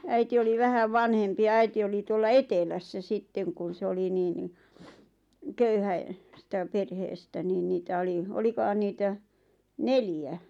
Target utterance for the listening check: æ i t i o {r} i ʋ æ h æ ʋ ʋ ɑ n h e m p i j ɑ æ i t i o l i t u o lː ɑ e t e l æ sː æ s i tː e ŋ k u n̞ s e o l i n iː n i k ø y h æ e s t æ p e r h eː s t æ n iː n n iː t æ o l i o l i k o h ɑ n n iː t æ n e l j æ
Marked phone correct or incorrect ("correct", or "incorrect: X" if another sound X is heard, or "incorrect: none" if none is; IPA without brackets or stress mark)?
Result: incorrect: l